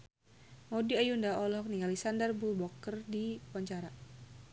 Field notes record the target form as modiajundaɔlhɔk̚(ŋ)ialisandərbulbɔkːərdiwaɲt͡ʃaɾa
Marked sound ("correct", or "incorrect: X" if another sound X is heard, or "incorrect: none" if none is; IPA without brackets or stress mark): incorrect: n